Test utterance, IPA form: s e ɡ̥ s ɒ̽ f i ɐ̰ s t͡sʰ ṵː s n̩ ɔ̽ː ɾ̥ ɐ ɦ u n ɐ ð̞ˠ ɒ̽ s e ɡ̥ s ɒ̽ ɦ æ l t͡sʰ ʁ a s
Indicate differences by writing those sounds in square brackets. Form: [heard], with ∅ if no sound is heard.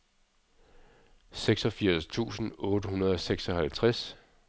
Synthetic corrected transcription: s e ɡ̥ s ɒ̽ f i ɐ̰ s t͡sʰ ṵː s n̩ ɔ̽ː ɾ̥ [ə] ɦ u n ɐ ð̞ˠ ɒ̽ s e ɡ̥ s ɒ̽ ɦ æ l t͡sʰ ʁ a s